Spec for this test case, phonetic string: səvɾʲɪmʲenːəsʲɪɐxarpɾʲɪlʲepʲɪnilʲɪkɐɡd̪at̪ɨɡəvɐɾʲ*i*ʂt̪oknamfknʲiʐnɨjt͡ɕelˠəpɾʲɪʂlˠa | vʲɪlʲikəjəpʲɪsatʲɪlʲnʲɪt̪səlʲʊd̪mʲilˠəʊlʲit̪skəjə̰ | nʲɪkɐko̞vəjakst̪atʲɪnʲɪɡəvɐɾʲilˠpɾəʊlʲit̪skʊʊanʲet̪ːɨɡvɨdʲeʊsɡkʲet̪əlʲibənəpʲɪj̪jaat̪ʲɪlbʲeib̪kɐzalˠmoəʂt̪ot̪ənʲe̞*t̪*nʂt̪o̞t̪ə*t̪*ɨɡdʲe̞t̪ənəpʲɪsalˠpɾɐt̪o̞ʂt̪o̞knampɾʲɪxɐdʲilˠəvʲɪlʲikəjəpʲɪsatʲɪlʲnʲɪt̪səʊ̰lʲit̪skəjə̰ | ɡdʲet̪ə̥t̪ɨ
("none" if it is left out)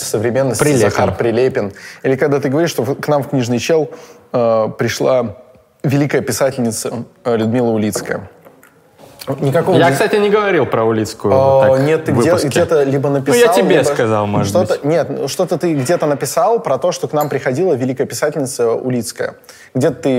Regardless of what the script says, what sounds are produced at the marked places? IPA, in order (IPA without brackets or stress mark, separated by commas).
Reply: i, t̪, t̪